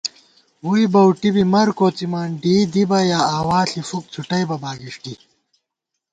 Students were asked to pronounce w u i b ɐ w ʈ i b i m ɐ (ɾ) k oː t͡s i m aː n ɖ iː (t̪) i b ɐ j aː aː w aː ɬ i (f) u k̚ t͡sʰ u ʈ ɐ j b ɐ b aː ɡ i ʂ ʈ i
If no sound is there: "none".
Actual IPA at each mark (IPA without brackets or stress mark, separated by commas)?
ɾ, d̪, f